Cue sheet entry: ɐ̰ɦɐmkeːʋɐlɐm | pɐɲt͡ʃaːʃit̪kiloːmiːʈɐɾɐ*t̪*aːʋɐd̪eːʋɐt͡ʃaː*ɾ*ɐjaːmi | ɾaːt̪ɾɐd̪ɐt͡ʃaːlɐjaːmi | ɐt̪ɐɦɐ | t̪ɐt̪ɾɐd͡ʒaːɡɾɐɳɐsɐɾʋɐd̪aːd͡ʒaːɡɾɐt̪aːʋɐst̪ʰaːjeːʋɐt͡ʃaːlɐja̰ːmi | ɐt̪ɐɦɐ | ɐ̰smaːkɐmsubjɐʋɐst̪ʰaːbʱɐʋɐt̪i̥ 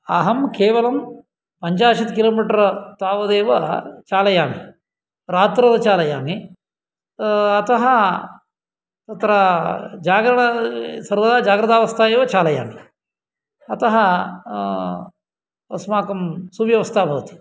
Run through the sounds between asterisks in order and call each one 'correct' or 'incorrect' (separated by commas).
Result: correct, incorrect